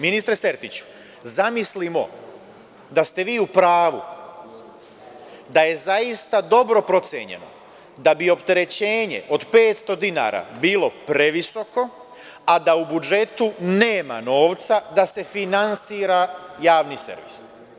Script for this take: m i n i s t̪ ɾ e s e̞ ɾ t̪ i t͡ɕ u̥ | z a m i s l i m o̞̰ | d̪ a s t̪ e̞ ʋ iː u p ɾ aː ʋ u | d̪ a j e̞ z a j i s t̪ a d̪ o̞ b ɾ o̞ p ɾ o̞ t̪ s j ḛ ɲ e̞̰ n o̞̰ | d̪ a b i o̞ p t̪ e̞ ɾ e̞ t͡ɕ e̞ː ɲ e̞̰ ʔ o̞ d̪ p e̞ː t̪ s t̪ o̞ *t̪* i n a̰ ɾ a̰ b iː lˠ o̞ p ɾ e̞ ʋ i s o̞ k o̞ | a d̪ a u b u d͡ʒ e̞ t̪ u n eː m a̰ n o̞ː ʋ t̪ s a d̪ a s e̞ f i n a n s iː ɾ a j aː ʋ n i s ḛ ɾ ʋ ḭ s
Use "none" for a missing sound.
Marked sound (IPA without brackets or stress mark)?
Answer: d̪